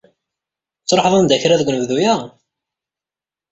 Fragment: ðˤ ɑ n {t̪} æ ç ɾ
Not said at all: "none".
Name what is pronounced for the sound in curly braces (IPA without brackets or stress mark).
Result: d̪